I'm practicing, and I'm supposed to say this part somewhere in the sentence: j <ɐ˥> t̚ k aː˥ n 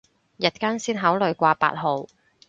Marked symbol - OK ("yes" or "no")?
no